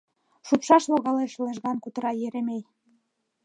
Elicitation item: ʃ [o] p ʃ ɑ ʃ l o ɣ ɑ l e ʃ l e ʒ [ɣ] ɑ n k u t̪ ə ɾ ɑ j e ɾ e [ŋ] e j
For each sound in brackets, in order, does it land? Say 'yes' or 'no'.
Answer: no, yes, no

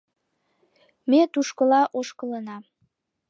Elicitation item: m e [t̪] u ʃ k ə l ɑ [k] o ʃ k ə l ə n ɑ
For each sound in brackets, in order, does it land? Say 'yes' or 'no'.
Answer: yes, no

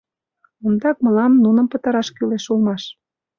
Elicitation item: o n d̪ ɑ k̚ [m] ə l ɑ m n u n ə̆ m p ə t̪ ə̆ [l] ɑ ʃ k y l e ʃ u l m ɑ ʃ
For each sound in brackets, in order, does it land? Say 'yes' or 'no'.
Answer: yes, no

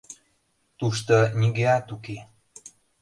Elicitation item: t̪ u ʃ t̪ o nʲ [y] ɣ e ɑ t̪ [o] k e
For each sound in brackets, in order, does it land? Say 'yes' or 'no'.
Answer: no, no

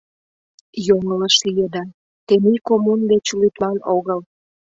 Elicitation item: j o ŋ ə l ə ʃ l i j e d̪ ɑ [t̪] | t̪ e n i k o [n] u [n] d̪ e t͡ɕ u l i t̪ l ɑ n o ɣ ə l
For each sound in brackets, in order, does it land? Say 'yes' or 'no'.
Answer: no, no, yes

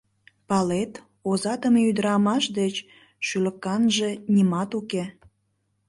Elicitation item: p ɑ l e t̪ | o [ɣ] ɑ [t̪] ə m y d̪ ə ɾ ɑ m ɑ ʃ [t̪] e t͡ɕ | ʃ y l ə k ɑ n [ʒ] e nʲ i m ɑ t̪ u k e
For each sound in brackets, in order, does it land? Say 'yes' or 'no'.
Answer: no, yes, no, yes

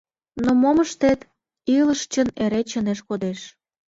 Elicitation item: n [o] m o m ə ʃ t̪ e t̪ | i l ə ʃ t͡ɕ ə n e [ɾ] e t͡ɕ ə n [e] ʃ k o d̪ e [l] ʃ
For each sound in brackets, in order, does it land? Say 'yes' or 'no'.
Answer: yes, yes, yes, no

